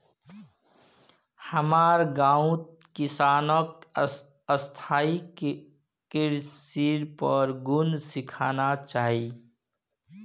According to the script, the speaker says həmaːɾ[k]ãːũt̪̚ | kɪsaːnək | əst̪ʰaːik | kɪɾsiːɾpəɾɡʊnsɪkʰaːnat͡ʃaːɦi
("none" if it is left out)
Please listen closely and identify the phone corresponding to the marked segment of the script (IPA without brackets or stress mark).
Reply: ɡ